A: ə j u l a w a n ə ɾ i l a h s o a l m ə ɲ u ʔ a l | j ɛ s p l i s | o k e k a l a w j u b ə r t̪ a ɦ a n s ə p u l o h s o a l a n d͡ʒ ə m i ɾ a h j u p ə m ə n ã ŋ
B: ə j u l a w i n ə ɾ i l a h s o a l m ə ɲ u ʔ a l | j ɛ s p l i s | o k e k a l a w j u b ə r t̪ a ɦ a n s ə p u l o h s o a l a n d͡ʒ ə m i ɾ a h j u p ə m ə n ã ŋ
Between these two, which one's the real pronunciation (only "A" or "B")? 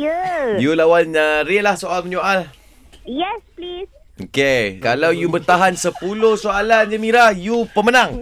A